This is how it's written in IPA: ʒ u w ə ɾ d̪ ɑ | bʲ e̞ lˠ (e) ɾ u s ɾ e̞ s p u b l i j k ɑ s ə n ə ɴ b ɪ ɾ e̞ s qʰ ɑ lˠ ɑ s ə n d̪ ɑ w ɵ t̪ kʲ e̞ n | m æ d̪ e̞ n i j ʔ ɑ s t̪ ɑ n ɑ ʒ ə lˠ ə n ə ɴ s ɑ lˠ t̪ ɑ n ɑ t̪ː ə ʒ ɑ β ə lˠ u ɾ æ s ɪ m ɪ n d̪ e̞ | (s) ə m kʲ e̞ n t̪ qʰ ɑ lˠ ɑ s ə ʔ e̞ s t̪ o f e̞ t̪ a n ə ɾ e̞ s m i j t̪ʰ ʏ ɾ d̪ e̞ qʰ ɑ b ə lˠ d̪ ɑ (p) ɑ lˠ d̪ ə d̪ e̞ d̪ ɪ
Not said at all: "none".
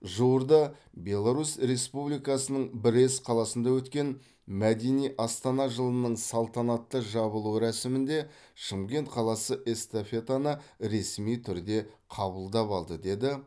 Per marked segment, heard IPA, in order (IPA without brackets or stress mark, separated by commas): a, ʃ, p